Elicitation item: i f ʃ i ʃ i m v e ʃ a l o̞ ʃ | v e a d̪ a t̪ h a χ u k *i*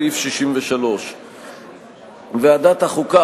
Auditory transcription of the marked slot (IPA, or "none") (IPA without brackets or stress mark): a